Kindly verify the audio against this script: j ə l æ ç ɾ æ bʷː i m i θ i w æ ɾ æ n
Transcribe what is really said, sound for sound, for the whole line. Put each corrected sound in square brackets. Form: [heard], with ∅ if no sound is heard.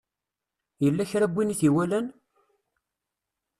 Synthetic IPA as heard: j ə [lː] æ ç ɾ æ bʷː i [n] i θ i w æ [l] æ n